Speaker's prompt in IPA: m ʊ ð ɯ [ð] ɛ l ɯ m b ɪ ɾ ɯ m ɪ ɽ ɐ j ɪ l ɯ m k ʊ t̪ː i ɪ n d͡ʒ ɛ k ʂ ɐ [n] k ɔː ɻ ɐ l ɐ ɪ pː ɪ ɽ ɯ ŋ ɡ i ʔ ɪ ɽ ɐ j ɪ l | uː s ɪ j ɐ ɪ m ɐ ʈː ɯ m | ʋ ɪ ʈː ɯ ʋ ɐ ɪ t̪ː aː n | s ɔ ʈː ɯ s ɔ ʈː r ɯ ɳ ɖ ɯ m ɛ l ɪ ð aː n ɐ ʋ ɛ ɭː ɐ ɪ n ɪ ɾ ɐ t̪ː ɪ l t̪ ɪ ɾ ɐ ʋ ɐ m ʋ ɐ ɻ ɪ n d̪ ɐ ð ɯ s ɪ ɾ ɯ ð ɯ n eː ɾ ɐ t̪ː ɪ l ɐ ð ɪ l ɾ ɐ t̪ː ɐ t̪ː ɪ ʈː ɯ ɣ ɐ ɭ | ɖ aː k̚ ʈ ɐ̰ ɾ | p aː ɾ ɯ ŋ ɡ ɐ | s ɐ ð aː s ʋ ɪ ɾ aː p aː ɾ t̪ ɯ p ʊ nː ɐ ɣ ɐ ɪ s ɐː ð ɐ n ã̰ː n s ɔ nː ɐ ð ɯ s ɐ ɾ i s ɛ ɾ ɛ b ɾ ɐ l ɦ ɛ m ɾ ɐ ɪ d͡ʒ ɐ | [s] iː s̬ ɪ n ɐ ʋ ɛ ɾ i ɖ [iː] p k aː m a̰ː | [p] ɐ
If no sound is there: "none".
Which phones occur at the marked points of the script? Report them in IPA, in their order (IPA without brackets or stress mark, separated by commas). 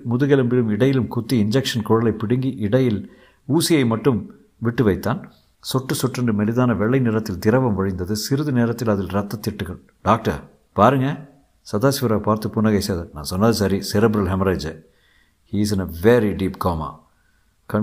ɣ, n, h, iː, k